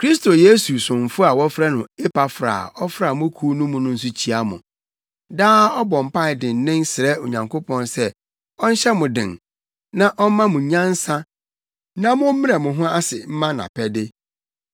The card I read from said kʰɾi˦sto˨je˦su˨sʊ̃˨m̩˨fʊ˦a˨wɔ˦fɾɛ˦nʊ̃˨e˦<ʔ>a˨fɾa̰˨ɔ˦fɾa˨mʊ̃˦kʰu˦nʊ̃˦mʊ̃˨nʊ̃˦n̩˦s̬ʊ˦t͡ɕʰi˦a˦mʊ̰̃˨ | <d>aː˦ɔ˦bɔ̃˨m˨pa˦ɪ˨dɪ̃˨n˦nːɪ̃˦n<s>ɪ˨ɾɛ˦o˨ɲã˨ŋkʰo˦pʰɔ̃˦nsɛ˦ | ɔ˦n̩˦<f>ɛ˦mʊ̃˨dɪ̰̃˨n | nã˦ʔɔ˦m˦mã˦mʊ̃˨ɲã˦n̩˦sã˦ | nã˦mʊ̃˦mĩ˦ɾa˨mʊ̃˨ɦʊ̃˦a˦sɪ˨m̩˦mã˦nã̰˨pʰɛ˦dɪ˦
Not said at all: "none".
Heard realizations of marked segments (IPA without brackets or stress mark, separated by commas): p, d, s, ɕ